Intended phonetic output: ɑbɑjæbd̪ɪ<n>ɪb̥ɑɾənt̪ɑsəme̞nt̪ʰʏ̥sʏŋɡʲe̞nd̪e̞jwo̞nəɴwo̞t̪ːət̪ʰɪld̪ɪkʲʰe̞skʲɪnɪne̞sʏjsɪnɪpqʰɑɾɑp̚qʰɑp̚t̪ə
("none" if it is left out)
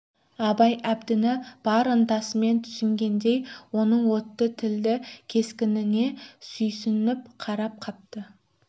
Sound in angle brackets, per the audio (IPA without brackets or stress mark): n